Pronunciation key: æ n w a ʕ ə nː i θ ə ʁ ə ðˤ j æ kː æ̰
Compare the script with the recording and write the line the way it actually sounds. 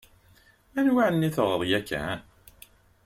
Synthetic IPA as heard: æ n w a ʕ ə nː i θ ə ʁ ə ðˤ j æ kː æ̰

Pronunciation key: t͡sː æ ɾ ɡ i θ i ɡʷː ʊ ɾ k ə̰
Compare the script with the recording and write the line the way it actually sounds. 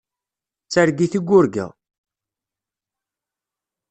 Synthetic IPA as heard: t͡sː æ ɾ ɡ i θ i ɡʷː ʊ ɾ ɡ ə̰

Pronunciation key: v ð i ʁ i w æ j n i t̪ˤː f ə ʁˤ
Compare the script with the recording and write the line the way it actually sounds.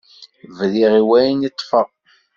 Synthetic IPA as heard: v ð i ʁ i w æ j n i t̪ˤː f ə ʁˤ

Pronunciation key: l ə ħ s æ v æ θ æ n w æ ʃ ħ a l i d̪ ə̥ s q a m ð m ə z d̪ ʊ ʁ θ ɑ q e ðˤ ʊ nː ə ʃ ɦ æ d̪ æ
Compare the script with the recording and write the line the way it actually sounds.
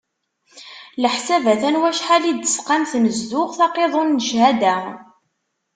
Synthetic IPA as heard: l ə ħ s æ v æ θ æ n w æ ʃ ħ a l i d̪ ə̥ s q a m θ m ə z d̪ ʊ ʁ θ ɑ q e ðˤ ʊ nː ə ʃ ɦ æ d̪ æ

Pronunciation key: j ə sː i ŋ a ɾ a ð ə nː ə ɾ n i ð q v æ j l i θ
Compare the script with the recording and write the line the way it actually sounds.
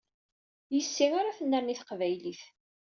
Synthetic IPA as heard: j ə sː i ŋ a ɾ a θ ə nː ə ɾ n i θ q v æ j l i θ

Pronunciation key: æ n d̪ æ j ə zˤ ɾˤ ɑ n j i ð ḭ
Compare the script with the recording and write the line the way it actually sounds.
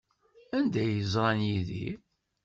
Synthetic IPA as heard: æ n d̪ æ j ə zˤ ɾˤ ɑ n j i ð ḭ

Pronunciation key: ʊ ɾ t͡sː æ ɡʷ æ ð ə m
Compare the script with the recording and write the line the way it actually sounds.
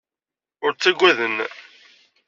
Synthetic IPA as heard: ʊ ɾ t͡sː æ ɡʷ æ ð ə n

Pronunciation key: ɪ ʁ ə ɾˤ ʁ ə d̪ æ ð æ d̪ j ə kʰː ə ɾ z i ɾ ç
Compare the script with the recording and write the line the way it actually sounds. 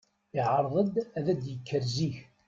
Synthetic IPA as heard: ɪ ʕ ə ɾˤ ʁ ə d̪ æ ð æ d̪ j ə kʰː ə ɾ z i ç

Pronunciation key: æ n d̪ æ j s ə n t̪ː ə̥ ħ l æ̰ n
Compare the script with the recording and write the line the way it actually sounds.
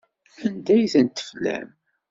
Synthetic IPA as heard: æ n d̪ æ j θ ə n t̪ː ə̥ f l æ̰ m

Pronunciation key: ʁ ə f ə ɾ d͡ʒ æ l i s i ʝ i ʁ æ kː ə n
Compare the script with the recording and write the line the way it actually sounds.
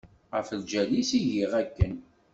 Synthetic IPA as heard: ʁ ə f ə l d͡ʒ æ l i s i ʝ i ʁ æ kː ə n

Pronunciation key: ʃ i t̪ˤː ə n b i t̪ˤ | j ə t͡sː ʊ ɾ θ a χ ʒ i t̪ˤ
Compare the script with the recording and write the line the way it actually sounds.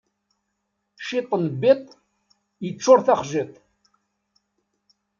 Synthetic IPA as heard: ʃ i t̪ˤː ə n b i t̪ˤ | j ə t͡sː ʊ ɾ θ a χ ʒ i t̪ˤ

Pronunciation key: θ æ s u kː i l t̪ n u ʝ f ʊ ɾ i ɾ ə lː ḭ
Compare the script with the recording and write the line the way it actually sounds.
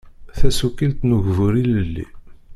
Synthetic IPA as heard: θ æ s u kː i l t̪ n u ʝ v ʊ ɾ i l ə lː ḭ

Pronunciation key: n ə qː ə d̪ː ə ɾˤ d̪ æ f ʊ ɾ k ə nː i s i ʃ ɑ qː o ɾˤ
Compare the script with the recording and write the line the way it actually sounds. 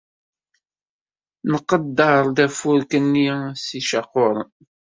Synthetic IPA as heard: n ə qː ə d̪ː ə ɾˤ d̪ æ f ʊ ɾ k ə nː i s i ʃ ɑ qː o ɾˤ

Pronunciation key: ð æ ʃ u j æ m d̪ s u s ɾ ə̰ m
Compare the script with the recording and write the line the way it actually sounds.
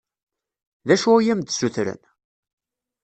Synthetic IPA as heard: ð æ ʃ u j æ m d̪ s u θ ɾ ə̰ n

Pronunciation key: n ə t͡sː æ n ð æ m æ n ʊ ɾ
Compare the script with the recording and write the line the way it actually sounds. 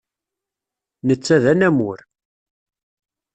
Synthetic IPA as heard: n ə t͡sː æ ð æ n æ m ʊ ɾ

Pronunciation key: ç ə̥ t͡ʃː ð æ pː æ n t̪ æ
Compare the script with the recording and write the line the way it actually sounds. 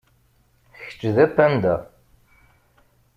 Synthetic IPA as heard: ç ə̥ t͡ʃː ð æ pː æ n d̪ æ

